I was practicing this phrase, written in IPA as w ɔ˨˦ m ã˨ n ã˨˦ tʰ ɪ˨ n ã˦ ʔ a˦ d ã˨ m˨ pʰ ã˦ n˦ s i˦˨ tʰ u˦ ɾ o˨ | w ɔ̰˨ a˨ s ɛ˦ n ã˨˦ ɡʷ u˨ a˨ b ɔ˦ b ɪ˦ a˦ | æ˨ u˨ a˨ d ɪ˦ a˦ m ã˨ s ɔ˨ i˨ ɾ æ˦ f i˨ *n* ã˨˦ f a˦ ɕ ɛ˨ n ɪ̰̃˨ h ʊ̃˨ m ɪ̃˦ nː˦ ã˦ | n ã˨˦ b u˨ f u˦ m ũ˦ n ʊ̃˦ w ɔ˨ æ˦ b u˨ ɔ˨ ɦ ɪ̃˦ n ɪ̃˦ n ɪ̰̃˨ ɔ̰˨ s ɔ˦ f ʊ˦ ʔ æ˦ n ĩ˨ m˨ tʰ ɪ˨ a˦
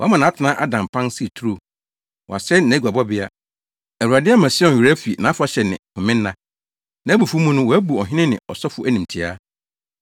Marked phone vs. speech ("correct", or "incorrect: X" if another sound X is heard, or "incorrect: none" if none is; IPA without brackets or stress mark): correct